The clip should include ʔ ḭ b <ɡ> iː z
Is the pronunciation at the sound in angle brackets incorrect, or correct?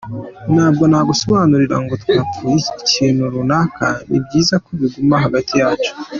incorrect